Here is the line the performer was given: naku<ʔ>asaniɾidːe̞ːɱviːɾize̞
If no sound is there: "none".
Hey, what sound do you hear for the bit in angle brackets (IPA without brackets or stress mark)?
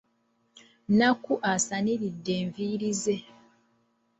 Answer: ʔ